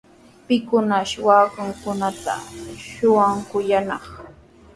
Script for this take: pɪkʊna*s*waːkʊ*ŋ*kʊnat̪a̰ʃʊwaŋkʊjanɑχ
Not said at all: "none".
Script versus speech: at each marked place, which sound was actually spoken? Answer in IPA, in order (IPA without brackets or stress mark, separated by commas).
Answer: ʃ, ŋ